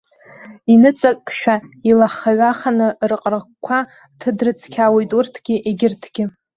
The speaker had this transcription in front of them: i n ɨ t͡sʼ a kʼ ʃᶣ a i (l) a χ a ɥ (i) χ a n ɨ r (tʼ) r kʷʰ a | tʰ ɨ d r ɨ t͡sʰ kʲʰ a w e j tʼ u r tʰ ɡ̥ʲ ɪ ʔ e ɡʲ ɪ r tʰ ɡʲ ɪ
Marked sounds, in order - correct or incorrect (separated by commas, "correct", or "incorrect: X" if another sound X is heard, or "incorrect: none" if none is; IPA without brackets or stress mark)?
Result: correct, incorrect: a, incorrect: qʼ